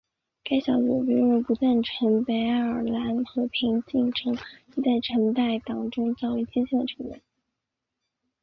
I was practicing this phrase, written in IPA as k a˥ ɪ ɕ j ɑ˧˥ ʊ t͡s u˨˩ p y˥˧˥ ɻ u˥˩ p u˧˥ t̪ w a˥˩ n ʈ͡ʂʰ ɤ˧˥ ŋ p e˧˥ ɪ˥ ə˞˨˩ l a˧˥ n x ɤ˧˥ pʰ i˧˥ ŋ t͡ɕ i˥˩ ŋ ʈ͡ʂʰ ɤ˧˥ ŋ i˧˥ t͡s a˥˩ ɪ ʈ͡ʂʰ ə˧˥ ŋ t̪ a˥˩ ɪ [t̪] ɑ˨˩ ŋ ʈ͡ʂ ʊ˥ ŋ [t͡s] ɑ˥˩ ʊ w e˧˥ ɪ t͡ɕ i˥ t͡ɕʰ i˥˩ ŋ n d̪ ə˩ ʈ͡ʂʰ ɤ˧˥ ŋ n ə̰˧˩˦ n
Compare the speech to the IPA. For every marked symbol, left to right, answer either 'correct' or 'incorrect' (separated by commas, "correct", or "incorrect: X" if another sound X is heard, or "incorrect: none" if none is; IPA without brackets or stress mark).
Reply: correct, correct